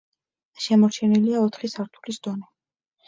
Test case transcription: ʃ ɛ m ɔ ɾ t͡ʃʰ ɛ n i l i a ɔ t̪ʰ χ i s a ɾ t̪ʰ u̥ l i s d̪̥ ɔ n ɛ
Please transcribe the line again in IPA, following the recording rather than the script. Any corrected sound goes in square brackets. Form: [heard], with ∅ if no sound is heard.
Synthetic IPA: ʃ ɛ m ɔ ɾ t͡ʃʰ ɛ n i l i a ɔ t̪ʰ χ i s a ɾ t̪ʰ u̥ l i s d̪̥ ɔ n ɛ